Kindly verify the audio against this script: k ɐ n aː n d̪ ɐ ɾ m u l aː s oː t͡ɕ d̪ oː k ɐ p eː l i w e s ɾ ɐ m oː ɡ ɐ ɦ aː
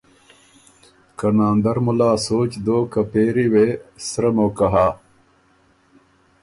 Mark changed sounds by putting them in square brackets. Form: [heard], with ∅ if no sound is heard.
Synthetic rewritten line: k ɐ n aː n d̪ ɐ ɾ m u l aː s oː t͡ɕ d̪ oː k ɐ p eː [ɾ] i w e s ɾ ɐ m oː [k] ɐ ɦ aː